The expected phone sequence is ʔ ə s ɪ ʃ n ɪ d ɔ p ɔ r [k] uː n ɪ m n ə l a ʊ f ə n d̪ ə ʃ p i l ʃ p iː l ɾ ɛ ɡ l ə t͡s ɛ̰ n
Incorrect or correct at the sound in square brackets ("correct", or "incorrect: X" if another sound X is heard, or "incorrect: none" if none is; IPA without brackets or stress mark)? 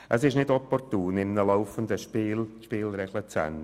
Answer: incorrect: t